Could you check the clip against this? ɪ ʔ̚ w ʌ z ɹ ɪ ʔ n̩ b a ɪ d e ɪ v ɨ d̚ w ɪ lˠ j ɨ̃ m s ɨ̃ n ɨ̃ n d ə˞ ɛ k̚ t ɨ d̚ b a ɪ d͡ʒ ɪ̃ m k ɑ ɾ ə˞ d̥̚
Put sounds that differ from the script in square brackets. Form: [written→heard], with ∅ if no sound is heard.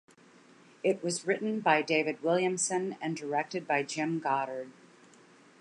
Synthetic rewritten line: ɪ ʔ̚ w ʌ z ɹ ɪ ʔ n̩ b a ɪ d e ɪ v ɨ d̚ w ɪ lˠ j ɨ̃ m s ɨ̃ n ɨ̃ n d ə˞ ɛ k̚ t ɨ d̚ b a ɪ d͡ʒ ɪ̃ m [k→ɡ] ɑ ɾ ə˞ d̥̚